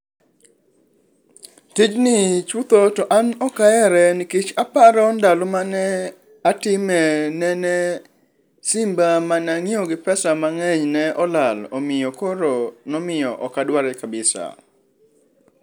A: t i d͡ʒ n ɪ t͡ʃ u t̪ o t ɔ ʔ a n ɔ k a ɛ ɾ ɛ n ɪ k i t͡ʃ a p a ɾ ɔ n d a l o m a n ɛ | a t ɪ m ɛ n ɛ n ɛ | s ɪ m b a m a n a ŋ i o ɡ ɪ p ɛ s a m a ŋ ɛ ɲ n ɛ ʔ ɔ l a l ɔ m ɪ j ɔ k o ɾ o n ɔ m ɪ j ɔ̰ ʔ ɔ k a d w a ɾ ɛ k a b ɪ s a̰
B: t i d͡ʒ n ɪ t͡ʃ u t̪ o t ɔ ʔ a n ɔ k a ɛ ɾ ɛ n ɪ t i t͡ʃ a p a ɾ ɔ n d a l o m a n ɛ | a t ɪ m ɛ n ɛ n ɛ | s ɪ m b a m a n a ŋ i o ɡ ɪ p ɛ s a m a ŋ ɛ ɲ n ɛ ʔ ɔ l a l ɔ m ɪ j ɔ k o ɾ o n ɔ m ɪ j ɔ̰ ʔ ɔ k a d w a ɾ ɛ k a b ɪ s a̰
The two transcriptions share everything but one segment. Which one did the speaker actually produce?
A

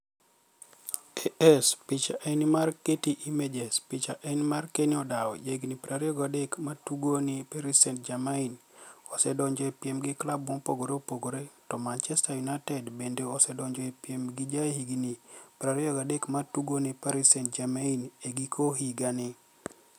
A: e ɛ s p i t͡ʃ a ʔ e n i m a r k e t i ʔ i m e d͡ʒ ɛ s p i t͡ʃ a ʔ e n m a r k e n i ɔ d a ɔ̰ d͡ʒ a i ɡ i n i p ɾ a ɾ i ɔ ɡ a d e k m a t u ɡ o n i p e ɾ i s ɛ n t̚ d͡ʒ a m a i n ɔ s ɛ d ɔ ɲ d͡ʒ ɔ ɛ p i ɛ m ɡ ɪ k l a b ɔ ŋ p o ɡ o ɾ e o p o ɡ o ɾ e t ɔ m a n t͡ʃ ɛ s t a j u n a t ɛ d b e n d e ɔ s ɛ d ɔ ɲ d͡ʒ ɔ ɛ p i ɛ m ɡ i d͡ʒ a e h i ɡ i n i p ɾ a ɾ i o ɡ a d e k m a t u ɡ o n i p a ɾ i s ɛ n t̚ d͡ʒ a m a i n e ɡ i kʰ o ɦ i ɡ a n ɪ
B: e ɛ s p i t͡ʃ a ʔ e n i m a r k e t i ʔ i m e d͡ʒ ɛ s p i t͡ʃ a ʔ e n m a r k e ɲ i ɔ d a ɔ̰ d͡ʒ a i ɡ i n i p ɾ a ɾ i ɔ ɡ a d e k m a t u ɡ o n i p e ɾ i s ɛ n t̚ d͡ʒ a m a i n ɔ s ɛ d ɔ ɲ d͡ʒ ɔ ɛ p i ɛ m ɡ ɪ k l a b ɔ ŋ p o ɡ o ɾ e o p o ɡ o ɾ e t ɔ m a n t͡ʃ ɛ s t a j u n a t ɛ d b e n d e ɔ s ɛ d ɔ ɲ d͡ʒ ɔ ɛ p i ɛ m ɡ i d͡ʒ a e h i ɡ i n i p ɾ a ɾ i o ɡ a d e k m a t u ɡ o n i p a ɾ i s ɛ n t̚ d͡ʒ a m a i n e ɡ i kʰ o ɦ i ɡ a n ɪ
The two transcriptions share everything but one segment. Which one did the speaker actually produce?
A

